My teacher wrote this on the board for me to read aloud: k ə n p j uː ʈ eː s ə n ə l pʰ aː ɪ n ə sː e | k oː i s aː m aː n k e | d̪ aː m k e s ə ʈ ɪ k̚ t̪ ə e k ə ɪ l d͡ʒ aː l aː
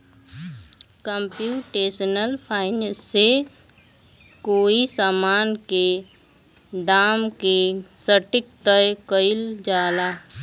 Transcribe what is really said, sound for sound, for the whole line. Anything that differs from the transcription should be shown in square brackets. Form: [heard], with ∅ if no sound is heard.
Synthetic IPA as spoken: k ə [m] p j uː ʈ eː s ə n ə l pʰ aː ɪ n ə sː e | k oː i s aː m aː n k e | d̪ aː m k e s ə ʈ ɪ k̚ t̪ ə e k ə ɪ l d͡ʒ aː l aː

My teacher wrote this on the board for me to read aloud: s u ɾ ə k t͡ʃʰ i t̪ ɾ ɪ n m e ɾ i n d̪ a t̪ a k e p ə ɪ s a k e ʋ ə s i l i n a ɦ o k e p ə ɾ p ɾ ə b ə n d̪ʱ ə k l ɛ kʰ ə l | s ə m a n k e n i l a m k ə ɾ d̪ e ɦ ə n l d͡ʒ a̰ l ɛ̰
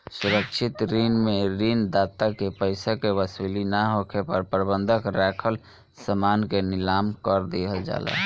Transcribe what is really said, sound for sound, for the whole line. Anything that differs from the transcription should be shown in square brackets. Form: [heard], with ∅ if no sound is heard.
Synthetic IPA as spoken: s u ɾ ə k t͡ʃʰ i t̪ ɾ [i] n m e ɾ i n d̪ a t̪ a k e p ə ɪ s a k e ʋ ə s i l i n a ɦ o [kʰ] e p ə ɾ p ɾ ə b ə n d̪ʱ ə k [ɾ] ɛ kʰ ə l | s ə m a n k e n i l a m k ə ɾ d̪ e ɦ ə [∅] l d͡ʒ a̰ l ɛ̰

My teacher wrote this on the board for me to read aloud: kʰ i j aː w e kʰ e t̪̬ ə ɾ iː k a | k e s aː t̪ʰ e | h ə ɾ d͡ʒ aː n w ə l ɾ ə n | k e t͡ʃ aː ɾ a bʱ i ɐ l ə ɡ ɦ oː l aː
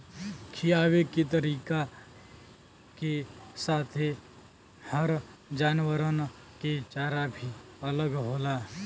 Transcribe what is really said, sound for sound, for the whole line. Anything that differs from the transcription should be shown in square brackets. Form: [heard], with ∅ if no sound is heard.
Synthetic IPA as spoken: kʰ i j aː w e [k] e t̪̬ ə ɾ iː k a | k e s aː t̪ʰ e | h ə ɾ d͡ʒ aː n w ə [∅] ɾ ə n | k e t͡ʃ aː ɾ a bʱ i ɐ l ə ɡ ɦ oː l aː

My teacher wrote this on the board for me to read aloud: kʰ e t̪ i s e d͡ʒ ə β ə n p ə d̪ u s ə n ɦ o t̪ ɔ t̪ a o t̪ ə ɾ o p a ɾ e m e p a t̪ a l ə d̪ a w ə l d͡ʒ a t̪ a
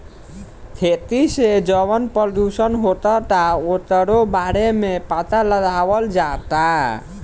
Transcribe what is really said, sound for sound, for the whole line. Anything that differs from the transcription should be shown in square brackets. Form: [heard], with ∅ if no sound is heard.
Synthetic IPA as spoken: kʰ e t̪ i s e d͡ʒ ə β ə n p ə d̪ u s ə n ɦ o t̪ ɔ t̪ a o t̪ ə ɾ o [b] a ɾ e m e p a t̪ a l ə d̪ a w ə l d͡ʒ a t̪ a

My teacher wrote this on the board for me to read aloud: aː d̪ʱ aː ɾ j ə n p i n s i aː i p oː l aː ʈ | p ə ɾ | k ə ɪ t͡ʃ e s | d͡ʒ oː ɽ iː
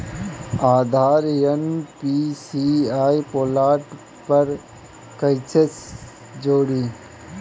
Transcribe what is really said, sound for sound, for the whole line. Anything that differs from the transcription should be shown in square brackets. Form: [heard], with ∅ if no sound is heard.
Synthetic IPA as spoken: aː d̪ʱ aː ɾ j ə n p i [∅] s i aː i p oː l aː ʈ | p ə ɾ | k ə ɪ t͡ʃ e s | d͡ʒ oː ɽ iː

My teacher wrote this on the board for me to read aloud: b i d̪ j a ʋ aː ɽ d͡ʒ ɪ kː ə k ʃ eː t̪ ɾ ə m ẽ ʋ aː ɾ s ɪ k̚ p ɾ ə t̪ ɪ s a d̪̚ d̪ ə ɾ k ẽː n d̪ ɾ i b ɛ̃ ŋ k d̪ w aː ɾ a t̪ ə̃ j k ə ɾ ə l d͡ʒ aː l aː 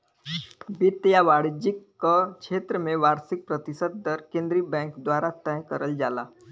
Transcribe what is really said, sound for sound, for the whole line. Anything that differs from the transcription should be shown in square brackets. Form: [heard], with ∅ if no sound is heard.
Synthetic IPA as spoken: b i [t̪] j a ʋ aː ɽ d͡ʒ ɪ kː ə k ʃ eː t̪ ɾ ə m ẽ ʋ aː ɾ s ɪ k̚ p ɾ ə t̪ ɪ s [ə] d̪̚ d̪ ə ɾ k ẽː n d̪ ɾ i b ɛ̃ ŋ k d̪ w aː ɾ a t̪ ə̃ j k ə ɾ ə l d͡ʒ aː l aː

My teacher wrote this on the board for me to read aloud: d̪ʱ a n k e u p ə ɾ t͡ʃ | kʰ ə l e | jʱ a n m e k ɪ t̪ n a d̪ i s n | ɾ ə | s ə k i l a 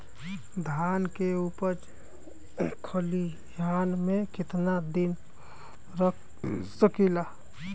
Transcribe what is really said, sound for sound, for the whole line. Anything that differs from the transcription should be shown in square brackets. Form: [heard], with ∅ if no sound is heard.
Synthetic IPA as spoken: d̪ʱ a n k e u p ə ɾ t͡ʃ | kʰ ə l [i] | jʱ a n m e k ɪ t̪ n a d̪ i [∅] n | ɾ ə | s ə k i l a

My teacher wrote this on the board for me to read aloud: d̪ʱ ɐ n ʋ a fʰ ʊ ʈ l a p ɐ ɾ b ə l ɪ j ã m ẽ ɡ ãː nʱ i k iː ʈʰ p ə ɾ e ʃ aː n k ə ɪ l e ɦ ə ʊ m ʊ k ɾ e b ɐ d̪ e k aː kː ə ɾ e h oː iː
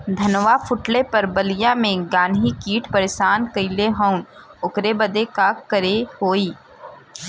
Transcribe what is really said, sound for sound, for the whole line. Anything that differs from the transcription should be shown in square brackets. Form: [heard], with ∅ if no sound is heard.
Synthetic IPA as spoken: d̪ʱ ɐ n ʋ a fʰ ʊ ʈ l [e] p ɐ ɾ b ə l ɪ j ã m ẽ ɡ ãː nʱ i k iː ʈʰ p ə ɾ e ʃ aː n k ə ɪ l e ɦ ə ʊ [n] ʊ k ɾ e b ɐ d̪ e k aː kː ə ɾ e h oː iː

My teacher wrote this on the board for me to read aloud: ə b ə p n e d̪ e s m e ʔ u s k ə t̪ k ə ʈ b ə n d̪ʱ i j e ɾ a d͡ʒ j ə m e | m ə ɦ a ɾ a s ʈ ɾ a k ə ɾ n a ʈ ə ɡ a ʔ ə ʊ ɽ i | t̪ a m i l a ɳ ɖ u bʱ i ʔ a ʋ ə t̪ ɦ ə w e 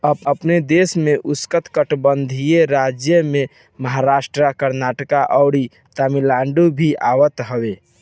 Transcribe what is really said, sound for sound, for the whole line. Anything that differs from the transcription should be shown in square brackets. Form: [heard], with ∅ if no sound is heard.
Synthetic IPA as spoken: ə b ə p n e d̪ e s m e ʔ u s k ə t̪ k ə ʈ b ə n d̪ʱ i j e ɾ a d͡ʒ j ə m e | m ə ɦ a ɾ a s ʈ ɾ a k ə ɾ n a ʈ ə [k] a ʔ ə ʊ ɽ i | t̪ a m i l a ɳ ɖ u bʱ i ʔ a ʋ ə t̪ ɦ ə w e

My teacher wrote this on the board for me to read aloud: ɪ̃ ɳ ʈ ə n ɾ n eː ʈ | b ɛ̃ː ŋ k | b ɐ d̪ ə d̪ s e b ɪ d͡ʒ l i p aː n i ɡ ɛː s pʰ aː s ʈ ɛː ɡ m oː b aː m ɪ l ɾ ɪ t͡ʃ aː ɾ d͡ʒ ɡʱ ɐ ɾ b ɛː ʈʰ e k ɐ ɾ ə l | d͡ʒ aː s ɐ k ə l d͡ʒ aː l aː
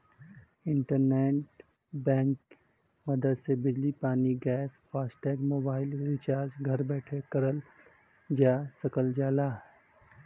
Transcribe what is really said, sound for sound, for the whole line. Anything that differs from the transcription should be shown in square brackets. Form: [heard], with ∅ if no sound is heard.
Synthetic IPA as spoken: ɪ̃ ɳ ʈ ə [∅] ɾ n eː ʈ | b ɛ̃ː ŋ k | [m] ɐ d̪ ə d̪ s e b ɪ d͡ʒ l i p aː n i ɡ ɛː s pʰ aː s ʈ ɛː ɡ m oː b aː [∅] ɪ l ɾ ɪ t͡ʃ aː ɾ d͡ʒ ɡʱ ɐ ɾ b ɛː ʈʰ e k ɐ ɾ ə l | d͡ʒ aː s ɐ k ə l d͡ʒ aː l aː

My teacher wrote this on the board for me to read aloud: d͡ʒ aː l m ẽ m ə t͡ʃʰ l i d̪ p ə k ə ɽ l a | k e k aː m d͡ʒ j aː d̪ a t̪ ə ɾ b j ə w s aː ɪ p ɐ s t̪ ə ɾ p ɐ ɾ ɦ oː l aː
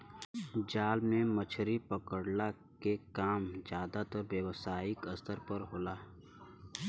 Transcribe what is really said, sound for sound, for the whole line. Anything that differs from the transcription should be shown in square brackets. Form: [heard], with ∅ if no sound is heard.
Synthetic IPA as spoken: d͡ʒ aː l m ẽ m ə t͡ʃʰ [ɾ] i [∅] p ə k ə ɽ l a | k e k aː m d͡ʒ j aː d̪ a t̪ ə ɾ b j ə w s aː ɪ [k] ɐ s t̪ ə ɾ p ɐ ɾ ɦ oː l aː

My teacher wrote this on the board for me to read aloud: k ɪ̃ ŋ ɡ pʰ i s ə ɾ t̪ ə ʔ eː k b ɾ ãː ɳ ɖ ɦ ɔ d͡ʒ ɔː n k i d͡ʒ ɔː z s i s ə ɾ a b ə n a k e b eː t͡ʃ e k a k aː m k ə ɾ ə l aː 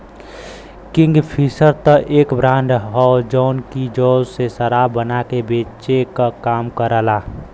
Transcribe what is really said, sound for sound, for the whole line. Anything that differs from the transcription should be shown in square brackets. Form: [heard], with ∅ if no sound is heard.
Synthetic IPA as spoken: k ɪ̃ ŋ ɡ pʰ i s ə ɾ t̪ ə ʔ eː k b ɾ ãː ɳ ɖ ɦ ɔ d͡ʒ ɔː n k i d͡ʒ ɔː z s [e] s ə ɾ a b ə n a k e b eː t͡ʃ e k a k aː m k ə ɾ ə l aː

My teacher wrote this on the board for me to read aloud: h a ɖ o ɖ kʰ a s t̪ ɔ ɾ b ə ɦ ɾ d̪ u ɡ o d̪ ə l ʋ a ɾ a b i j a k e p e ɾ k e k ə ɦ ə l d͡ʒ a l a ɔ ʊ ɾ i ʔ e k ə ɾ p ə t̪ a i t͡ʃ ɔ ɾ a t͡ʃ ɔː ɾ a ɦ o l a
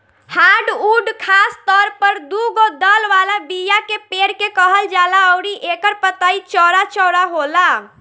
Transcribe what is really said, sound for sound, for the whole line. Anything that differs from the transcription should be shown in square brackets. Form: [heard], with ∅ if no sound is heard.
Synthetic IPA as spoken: h a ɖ [u] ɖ kʰ a s t̪ ɔ ɾ [p] ə [∅] ɾ d̪ u ɡ o d̪ ə l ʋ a [l] a b i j a k e p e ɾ k e k ə ɦ ə l d͡ʒ a l a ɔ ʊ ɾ i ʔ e k ə ɾ p ə t̪ a i t͡ʃ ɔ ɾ a t͡ʃ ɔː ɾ a ɦ o l a

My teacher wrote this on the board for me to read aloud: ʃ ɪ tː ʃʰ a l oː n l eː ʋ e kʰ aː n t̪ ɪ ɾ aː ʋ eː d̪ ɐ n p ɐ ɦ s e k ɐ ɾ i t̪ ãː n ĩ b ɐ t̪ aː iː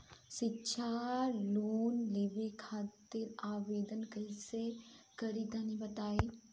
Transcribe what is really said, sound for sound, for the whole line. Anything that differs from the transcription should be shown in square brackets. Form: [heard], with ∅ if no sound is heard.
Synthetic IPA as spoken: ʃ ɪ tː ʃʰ a l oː n l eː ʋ e kʰ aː [∅] t̪ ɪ ɾ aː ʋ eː d̪ [ə] n [k] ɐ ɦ s e k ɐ ɾ i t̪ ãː n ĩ b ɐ t̪ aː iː

